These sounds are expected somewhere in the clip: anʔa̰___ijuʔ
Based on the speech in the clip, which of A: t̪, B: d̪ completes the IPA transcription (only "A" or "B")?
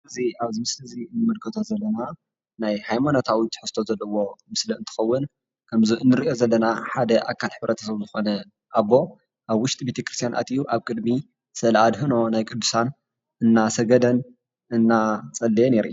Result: A